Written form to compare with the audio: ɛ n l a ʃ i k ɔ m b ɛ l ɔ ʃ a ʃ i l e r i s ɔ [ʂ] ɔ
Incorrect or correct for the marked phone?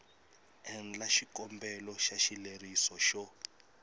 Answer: incorrect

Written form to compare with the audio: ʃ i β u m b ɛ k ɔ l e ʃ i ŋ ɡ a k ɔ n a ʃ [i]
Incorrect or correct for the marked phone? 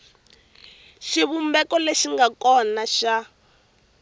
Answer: incorrect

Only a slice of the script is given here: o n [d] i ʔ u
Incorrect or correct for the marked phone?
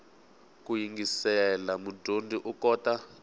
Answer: correct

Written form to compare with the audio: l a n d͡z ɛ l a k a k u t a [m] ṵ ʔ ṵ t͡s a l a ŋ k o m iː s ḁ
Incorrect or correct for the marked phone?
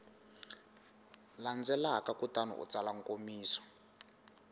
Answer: incorrect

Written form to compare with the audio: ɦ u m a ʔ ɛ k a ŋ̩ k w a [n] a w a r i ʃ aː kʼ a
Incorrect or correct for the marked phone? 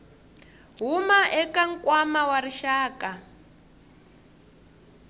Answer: incorrect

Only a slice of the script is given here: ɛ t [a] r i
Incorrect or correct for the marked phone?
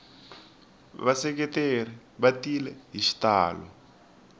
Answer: incorrect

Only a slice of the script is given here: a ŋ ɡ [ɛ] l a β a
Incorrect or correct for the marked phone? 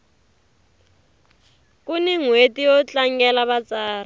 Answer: correct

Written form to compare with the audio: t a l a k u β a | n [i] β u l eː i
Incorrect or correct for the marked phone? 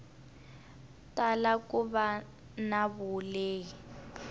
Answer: incorrect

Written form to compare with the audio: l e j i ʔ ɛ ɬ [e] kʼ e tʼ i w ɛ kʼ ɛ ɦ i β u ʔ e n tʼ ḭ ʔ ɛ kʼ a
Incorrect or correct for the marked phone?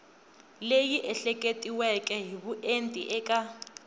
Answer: incorrect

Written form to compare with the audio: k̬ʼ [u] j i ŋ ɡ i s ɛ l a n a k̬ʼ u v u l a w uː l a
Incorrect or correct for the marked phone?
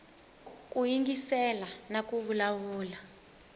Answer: correct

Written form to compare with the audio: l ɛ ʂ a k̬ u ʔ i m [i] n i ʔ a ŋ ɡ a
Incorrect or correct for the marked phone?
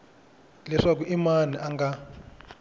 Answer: incorrect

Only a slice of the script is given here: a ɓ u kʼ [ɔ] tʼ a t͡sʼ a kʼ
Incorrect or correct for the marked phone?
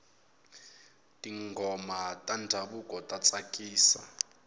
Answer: correct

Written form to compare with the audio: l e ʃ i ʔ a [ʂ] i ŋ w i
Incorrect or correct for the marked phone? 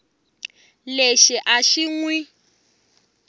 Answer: incorrect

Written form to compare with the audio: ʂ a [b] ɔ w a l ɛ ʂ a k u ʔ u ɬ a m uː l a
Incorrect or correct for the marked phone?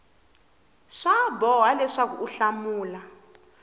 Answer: correct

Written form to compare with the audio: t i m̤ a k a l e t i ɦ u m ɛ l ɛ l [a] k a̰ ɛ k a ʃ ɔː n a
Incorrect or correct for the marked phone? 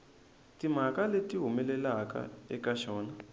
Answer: correct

